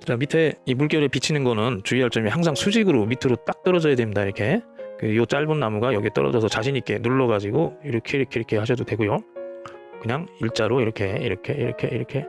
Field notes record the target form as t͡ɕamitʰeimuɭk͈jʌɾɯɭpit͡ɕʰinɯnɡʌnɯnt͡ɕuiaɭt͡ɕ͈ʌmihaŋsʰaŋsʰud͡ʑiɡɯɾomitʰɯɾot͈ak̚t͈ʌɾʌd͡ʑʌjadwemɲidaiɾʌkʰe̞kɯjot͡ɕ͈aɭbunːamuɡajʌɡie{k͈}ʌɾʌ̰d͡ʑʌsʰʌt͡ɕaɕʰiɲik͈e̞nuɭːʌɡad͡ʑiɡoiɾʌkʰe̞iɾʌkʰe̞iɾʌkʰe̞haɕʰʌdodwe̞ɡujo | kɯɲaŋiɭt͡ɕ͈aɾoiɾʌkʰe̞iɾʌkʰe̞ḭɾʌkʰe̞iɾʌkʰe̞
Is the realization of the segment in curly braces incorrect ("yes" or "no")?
yes